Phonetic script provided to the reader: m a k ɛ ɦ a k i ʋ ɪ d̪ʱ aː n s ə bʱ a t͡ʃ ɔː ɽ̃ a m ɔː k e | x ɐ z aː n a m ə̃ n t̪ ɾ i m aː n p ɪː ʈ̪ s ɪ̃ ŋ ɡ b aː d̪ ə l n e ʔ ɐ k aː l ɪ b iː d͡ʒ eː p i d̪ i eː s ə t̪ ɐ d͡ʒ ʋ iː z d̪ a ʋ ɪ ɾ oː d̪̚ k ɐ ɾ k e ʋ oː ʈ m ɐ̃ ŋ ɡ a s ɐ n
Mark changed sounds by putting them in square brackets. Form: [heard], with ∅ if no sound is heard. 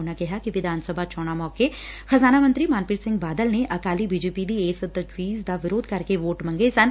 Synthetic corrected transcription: [n] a k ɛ ɦ a k i ʋ ɪ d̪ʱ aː n s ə bʱ a t͡ʃ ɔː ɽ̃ a m ɔː k e | x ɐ z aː n a m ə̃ n t̪ ɾ i m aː n p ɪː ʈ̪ s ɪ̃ ŋ ɡ b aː d̪ ə l n e ʔ ɐ k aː l [i] b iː d͡ʒ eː p i d̪ i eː s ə t̪ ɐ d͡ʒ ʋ iː z d̪ a ʋ ɪ ɾ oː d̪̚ k ɐ ɾ k e ʋ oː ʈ m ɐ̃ ŋ ɡ [e] s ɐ n